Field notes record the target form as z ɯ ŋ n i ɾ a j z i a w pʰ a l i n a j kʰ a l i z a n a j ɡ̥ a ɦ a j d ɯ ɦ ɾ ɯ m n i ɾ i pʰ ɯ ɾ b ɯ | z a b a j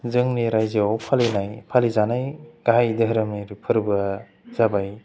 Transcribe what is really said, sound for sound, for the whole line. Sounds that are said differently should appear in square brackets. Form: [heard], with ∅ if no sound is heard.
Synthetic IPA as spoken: z ɯ ŋ n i ɾ a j z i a w pʰ a l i n a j [pʰ] a l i z a n a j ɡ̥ a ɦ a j d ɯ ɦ ɾ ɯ m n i ɾ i pʰ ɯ ɾ b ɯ | z a b a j